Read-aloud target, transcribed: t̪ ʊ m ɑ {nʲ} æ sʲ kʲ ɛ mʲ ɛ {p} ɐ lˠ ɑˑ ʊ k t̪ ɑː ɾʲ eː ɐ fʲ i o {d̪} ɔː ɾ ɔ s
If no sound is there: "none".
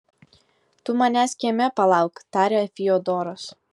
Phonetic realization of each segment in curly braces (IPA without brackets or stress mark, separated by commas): nʲ, p, d̪